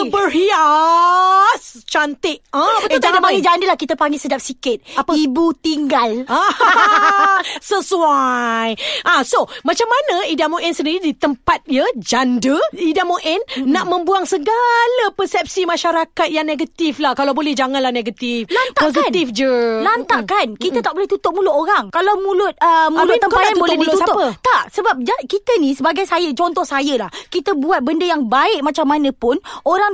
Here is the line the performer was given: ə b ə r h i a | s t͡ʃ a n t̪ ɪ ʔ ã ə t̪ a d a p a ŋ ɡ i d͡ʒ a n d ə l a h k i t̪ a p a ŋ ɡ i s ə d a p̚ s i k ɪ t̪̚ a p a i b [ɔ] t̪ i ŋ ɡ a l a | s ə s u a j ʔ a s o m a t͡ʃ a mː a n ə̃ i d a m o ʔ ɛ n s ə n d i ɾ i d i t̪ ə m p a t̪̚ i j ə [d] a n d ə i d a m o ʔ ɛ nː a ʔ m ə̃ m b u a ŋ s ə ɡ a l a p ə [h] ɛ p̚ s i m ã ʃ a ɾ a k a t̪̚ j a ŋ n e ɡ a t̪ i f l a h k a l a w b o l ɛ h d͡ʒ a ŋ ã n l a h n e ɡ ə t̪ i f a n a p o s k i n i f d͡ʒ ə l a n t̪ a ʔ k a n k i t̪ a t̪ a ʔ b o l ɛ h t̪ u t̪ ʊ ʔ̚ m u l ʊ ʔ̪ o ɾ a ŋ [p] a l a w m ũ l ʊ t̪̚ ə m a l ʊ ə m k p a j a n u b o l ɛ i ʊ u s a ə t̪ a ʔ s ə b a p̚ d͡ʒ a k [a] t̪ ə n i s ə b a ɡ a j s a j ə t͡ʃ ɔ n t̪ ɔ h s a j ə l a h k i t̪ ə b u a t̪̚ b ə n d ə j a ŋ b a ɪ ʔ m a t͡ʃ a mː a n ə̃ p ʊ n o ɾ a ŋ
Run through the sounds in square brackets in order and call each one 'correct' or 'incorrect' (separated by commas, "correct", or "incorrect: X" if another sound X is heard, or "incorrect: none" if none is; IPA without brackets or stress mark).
incorrect: u, incorrect: d͡ʒ, incorrect: s, incorrect: k, incorrect: i